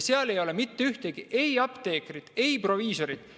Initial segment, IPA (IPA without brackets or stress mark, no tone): s